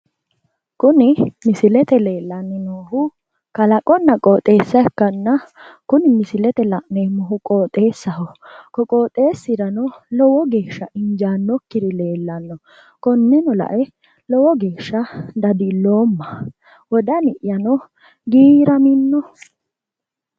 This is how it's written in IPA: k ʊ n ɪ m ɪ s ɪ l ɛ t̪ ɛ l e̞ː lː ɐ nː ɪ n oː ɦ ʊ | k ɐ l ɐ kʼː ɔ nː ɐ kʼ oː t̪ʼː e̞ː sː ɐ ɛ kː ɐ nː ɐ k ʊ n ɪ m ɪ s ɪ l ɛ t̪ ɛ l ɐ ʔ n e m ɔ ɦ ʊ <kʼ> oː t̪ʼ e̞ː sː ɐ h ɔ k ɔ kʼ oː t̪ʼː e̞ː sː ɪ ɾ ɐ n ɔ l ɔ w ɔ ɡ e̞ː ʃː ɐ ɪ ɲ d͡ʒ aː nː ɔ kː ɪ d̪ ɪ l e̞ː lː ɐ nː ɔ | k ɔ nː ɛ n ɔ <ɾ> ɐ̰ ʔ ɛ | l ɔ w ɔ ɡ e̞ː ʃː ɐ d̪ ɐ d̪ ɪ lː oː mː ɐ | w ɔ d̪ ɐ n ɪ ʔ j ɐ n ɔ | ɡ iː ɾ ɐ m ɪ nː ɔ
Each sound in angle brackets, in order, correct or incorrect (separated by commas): correct, incorrect